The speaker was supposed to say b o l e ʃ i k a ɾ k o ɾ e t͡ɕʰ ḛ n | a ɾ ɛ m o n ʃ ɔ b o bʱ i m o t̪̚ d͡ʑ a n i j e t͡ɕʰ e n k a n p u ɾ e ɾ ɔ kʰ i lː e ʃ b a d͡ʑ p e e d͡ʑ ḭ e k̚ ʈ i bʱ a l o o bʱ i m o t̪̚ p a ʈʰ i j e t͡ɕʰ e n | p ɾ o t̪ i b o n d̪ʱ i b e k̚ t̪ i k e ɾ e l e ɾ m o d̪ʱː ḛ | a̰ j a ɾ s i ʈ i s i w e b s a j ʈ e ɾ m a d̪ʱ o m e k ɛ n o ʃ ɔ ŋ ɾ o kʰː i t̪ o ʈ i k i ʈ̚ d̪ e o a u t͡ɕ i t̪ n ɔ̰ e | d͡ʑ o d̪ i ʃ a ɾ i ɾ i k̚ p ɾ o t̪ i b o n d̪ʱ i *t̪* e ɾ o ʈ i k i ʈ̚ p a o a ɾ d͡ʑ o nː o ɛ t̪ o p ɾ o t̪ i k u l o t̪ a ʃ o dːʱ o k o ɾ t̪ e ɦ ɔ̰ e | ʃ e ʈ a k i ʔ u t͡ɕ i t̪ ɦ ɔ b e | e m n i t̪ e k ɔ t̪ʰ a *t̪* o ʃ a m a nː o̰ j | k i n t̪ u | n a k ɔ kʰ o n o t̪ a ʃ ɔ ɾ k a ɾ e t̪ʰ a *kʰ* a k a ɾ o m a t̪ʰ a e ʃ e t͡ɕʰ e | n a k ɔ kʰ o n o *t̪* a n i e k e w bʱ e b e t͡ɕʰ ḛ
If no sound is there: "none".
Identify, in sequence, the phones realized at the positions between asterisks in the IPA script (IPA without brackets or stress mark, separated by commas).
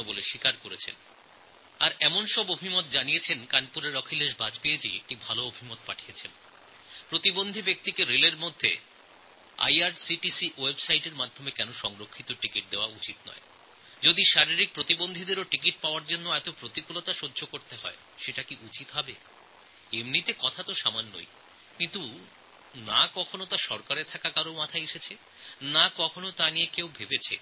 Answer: d̪, t̪, k, t̪